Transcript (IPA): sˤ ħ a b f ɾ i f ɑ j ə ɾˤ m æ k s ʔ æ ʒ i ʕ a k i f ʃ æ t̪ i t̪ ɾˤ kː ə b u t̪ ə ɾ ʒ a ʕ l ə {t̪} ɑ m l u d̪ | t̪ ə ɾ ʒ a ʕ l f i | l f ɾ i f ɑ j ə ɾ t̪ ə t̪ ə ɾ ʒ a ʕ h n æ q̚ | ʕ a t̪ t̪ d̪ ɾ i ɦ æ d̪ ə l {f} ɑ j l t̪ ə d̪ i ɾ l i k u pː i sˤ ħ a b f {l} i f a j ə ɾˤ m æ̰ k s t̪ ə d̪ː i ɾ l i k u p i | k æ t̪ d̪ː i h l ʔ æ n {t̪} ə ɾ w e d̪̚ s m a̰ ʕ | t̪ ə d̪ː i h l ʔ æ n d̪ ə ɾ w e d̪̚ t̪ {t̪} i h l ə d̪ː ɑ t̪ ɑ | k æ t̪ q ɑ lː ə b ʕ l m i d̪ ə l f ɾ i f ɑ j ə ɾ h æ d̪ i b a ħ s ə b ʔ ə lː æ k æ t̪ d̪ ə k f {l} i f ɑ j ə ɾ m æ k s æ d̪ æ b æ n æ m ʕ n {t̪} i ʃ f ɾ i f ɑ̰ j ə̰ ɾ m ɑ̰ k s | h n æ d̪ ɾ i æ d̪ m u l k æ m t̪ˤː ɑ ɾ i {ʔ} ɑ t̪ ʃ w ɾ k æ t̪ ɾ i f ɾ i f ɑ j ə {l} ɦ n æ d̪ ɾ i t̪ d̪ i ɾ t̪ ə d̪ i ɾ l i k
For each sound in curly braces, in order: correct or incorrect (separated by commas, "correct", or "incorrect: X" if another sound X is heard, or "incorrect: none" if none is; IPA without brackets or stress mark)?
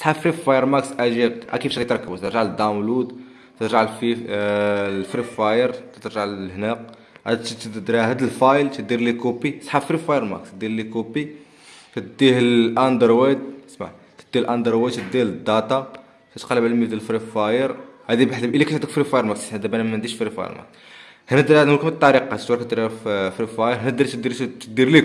incorrect: d̪, correct, incorrect: ɾ, incorrect: d̪, incorrect: d̪, incorrect: ɾ, incorrect: d̪, incorrect: q, incorrect: ɾ